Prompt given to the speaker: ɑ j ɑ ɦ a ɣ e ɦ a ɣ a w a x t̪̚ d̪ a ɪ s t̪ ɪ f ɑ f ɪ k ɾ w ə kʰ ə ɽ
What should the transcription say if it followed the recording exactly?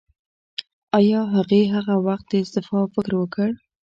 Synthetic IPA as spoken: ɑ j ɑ ɦ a ɣ e ɦ a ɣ a w a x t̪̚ d̪ ə ɪ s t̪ ɪ f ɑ f ɪ k ɾ w ə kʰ ə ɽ